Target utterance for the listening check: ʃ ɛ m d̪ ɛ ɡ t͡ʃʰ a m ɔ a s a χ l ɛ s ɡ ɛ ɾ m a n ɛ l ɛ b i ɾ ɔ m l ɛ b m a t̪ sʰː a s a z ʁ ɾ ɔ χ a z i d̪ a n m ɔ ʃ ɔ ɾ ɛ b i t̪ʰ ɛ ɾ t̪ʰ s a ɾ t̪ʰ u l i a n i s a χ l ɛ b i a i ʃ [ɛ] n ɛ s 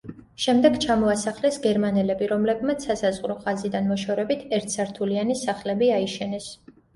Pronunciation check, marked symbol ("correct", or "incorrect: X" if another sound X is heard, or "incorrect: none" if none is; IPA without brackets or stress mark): correct